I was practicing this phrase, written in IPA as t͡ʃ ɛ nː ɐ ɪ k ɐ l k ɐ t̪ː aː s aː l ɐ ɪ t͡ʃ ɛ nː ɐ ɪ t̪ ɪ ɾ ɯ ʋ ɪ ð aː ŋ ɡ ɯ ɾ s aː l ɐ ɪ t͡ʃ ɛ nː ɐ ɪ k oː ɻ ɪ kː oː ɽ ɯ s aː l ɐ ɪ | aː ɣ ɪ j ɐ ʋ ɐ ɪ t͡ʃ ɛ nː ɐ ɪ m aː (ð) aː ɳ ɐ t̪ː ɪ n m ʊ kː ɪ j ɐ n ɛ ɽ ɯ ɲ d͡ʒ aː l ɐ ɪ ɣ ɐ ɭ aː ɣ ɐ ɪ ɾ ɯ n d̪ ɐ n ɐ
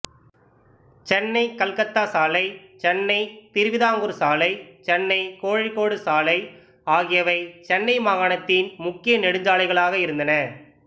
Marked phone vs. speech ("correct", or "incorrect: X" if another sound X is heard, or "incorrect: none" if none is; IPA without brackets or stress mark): incorrect: ɣ